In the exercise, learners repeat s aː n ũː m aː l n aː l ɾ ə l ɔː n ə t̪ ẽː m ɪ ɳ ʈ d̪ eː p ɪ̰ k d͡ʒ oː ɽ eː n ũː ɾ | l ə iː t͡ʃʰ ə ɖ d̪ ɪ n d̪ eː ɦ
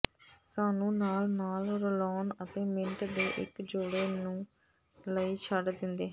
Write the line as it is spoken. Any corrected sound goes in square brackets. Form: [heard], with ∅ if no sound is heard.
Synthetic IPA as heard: s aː n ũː [n] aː l n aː l ɾ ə l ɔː n ə t̪ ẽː m ɪ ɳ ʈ d̪ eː [ʔ] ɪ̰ k d͡ʒ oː ɽ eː n ũː [∅] | l ə iː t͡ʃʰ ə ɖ d̪ ɪ n d̪ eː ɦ